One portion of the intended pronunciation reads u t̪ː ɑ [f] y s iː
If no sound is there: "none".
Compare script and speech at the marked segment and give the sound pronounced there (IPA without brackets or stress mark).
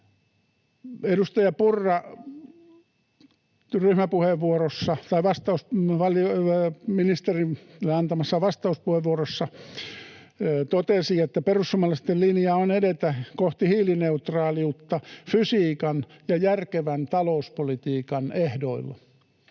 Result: f